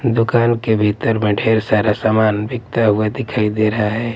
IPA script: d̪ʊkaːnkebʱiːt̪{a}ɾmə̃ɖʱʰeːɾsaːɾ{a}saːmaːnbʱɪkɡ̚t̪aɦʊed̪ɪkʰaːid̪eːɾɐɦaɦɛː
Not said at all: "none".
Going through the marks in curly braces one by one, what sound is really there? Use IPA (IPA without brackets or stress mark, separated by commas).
ə, a